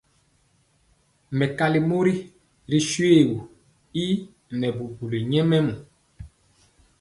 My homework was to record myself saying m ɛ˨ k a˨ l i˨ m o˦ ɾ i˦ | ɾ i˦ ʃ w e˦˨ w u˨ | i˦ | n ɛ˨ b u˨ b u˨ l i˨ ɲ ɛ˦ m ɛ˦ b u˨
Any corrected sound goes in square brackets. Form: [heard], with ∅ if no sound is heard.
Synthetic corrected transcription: m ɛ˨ k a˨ l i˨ m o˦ ɾ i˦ | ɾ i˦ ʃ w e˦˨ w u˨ | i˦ | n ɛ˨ b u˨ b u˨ l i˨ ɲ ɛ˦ m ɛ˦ [m] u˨